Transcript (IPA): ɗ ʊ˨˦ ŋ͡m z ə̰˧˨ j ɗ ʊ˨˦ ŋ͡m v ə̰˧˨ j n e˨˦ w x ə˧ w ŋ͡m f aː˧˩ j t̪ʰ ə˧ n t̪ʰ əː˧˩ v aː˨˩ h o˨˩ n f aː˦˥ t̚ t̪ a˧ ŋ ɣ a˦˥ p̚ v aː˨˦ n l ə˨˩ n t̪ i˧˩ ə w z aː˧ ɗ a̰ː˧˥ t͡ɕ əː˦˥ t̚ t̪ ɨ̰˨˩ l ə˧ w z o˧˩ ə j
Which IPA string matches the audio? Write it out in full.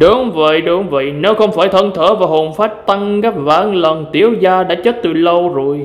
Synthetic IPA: ɗ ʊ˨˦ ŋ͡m v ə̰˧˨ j ɗ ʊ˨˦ ŋ͡m v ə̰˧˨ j n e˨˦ w x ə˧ w ŋ͡m f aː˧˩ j t̪ʰ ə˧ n t̪ʰ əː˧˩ v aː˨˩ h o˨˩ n f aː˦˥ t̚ t̪ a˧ ŋ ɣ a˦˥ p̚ v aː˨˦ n l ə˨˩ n t̪ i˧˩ ə w z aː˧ ɗ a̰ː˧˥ t͡ɕ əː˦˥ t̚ t̪ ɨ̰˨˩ l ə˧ w z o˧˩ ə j

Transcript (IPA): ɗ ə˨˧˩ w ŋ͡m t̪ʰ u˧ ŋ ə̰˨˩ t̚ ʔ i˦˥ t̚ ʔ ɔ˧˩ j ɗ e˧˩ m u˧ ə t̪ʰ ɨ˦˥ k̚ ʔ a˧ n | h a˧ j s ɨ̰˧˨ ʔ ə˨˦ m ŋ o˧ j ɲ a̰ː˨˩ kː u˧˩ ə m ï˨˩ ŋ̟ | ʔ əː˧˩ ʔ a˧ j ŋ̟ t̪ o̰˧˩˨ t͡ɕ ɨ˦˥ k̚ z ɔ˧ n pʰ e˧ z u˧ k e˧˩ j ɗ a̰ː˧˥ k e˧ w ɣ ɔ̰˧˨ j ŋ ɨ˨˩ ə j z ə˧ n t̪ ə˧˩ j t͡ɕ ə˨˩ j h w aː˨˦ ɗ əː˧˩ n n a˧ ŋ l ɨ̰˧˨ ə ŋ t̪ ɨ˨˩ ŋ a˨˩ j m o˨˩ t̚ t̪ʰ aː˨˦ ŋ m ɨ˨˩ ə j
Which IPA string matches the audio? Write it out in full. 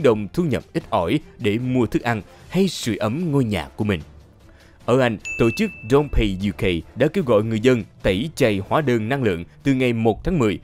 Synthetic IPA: ɗ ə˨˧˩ w ŋ͡m t̪ʰ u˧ ɲ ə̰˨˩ p̚ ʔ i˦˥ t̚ ʔ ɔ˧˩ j ɗ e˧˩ m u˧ ə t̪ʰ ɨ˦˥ k̚ ʔ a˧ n | h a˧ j s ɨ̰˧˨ ʔ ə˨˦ m ŋ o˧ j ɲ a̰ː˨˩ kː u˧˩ ə m ï˨˩ ŋ̟ | ʔ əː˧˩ ʔ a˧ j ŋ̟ t̪ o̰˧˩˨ t͡ɕ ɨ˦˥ k̚ z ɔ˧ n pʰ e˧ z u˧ k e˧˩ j ɗ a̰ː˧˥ k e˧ w ɣ ɔ̰˧˨ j ŋ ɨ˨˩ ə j z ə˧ n t̪ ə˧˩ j t͡ɕ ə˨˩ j h w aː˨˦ ɗ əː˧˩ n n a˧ ŋ l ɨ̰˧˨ ə ŋ t̪ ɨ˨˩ ŋ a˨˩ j m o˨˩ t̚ t̪ʰ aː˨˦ ŋ m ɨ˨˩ ə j

